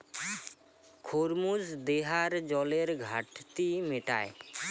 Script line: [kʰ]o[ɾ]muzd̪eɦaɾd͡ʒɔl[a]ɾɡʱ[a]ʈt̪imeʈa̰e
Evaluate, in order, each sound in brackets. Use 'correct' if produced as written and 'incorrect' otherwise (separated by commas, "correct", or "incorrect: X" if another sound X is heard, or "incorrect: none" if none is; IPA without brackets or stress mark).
correct, correct, incorrect: e, correct